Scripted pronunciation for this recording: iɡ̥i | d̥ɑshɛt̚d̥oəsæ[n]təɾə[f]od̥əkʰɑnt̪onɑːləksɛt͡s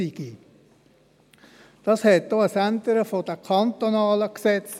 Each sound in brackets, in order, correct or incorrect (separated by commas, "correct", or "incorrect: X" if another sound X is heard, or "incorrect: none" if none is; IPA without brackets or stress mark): correct, correct